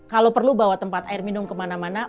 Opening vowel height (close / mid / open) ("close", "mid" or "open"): open